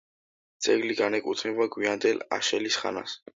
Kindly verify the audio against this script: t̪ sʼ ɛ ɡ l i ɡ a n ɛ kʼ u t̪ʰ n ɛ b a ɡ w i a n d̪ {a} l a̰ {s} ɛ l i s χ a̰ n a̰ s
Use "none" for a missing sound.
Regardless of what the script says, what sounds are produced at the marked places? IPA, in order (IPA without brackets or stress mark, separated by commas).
ɛ, ʃ